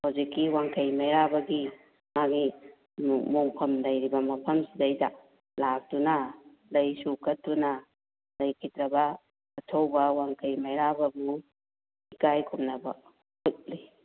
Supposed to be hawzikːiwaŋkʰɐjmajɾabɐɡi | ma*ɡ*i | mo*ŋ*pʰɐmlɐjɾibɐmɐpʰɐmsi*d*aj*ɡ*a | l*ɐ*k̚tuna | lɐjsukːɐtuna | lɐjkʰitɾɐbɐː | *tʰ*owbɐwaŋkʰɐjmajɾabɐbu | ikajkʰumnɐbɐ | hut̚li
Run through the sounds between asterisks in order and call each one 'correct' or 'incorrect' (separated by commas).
correct, correct, correct, incorrect, incorrect, correct